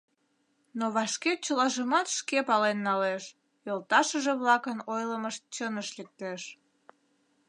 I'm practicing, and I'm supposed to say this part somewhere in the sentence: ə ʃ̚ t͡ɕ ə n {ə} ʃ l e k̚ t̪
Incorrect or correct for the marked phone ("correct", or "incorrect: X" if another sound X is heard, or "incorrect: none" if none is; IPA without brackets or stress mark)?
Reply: correct